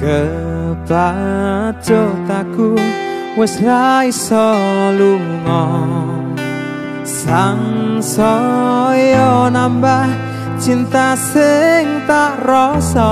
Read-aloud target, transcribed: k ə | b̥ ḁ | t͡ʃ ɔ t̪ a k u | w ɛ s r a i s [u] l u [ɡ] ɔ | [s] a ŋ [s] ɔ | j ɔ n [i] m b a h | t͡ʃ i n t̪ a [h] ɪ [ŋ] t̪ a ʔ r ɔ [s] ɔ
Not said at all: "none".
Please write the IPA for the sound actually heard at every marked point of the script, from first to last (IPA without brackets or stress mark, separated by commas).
ɔ, ŋ, s, s, a, s, ŋ, s